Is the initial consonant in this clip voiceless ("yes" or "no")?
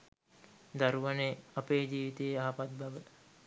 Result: no